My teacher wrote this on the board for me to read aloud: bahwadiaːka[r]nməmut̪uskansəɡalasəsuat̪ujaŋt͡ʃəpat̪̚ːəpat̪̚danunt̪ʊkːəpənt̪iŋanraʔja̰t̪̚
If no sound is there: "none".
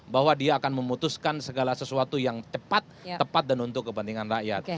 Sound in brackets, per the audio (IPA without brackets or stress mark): none